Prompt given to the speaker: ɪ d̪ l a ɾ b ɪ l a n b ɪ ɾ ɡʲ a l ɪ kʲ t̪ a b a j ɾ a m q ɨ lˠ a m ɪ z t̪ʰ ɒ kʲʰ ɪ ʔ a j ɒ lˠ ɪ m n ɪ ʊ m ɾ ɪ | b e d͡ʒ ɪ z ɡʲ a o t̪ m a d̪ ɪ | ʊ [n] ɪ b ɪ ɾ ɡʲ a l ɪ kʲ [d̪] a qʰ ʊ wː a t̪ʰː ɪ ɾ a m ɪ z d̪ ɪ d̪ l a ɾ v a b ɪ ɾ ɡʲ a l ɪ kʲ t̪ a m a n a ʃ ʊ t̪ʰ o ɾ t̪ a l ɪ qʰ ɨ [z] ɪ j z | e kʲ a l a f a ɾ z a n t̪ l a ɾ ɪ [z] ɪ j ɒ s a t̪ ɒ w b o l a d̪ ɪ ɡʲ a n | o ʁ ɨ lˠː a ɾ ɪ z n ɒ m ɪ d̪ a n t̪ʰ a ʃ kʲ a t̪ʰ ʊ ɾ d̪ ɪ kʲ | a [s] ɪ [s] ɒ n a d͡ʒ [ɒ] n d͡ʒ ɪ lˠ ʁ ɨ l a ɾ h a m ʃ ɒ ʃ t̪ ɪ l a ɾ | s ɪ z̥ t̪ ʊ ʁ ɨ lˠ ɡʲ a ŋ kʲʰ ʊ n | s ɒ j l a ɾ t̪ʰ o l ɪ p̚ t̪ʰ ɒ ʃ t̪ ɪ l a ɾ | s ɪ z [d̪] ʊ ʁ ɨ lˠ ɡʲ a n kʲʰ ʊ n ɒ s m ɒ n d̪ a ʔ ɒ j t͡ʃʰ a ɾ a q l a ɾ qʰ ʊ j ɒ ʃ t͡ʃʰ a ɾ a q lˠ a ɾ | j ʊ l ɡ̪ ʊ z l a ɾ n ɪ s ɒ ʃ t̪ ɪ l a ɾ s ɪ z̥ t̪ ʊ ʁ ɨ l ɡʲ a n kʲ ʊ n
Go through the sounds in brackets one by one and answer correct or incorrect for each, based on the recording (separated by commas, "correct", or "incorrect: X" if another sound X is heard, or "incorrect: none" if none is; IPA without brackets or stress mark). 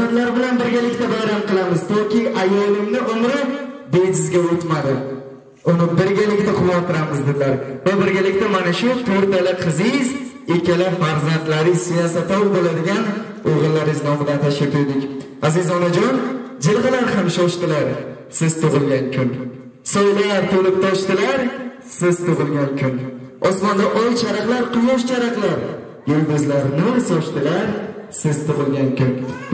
correct, incorrect: t̪, correct, incorrect: s, incorrect: z, incorrect: z, correct, incorrect: t̪